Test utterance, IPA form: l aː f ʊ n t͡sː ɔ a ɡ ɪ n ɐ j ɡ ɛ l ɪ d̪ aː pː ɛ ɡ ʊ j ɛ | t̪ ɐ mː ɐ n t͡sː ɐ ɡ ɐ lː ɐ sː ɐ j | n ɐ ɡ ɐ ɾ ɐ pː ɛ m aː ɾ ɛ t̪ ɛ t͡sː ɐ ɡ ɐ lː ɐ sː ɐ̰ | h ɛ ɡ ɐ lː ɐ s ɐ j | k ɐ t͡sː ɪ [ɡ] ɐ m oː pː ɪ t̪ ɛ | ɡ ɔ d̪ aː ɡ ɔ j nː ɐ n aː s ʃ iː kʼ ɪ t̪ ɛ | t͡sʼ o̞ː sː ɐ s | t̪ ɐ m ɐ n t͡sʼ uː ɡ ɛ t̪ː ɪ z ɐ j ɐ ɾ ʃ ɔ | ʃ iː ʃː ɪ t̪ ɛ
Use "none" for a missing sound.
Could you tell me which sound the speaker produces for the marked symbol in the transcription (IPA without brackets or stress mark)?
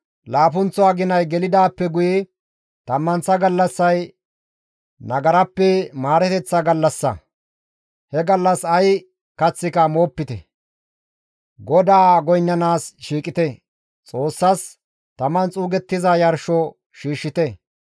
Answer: k